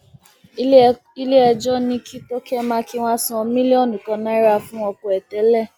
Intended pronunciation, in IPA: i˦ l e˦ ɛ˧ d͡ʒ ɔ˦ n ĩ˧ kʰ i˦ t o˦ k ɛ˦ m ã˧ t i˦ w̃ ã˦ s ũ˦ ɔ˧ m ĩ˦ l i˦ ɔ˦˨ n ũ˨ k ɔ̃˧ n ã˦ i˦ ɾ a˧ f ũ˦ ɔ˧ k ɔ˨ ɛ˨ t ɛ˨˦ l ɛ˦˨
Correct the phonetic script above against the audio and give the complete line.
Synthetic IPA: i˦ l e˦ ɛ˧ d͡ʒ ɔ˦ n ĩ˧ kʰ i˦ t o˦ k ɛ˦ m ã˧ k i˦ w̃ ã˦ s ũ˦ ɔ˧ m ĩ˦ l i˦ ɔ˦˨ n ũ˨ k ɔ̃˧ n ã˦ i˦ ɾ a˧ f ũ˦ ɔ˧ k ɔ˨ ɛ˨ t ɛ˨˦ l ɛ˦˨